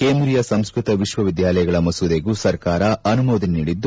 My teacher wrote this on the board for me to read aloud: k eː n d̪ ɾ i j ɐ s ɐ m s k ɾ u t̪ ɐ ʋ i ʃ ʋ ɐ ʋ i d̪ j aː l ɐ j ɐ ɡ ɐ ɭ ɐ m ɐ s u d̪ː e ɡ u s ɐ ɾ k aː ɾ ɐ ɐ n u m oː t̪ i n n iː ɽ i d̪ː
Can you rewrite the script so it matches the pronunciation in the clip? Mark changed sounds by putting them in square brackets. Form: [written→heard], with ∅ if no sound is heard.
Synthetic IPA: k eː n d̪ ɾ i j ɐ s ɐ m s k ɾ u t̪ ɐ ʋ i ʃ ʋ ɐ ʋ i d̪ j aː l ɐ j ɐ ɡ ɐ ɭ ɐ m ɐ s u [d̪ː→d̪] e ɡ u s ɐ ɾ k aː ɾ ɐ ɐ n u m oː [t̪→d̪] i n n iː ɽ i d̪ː

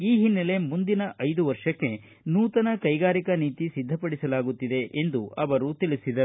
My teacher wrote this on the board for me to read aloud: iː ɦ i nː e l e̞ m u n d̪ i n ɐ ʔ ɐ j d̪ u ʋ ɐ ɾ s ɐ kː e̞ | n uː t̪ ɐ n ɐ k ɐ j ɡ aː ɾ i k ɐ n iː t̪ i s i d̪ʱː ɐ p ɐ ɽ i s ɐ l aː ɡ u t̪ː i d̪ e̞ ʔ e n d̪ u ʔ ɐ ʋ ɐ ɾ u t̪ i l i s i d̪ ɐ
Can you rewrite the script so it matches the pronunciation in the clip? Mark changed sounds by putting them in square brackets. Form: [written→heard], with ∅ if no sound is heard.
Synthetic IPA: iː ɦ i nː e l e̞ m u n d̪ i n ɐ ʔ ɐ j d̪ u ʋ ɐ ɾ [s→ʂ] ɐ kː e̞ | n uː t̪ ɐ n ɐ k ɐ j ɡ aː ɾ i k ɐ n iː t̪ i s i d̪ʱː ɐ p ɐ ɽ i s ɐ l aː ɡ u t̪ː i d̪ e̞ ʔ e n d̪ u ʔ ɐ ʋ ɐ ɾ u t̪ i l i s i d̪ ɐ

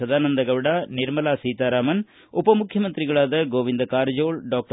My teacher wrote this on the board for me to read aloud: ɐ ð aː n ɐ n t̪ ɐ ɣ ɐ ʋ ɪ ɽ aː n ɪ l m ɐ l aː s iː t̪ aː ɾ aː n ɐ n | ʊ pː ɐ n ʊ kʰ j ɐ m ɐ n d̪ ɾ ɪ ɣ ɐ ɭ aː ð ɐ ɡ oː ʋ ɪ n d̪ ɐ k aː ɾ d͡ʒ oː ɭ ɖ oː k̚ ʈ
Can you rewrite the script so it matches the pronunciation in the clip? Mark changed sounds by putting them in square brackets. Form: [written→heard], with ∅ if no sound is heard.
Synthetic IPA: ɐ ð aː n ɐ n [t̪→d̪] ɐ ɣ ɐ ʋ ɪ ɽ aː n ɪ [l→ɾ] m ɐ l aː s iː t̪ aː ɾ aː [n→m] ɐ n | ʊ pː ɐ [n→m] ʊ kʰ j ɐ m ɐ n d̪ ɾ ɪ ɣ ɐ ɭ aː ð ɐ ɡ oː ʋ ɪ n d̪ ɐ k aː ɾ d͡ʒ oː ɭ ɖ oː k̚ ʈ

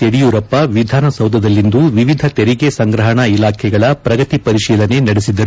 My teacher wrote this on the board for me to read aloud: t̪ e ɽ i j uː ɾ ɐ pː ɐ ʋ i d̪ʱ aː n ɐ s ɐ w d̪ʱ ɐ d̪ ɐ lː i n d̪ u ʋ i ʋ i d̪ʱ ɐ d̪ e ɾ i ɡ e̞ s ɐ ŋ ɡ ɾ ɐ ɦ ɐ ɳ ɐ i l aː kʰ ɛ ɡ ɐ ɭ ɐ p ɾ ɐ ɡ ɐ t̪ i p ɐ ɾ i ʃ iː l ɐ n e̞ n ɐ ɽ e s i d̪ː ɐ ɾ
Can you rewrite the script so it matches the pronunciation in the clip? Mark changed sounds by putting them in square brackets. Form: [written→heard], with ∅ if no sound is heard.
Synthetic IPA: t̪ e ɽ i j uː ɾ ɐ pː ɐ ʋ i d̪ʱ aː n ɐ s ɐ w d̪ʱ ɐ d̪ ɐ lː i n d̪ u ʋ i ʋ i d̪ʱ ɐ [d̪→t̪] e ɾ i ɡ e̞ s ɐ ŋ ɡ ɾ ɐ ɦ ɐ ɳ ɐ i l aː kʰ ɛ ɡ ɐ ɭ ɐ p ɾ ɐ ɡ ɐ t̪ i p ɐ ɾ i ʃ iː l ɐ n e̞ n ɐ ɽ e s i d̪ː ɐ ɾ

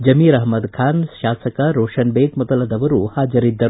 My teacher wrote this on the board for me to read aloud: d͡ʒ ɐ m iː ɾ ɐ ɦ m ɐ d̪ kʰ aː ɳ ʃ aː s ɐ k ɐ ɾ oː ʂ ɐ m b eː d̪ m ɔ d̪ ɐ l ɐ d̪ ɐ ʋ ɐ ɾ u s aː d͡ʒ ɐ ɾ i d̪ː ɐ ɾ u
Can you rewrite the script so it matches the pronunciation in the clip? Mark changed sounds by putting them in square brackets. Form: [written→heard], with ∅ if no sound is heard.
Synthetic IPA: d͡ʒ ɐ m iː ɾ ɐ ɦ m ɐ d̪ kʰ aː [ɳ→n] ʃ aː s ɐ k ɐ ɾ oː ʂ ɐ [m→n] b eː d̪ m ɔ d̪ ɐ l ɐ d̪ ɐ ʋ ɐ ɾ u [s→h] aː d͡ʒ ɐ ɾ i d̪ː ɐ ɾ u

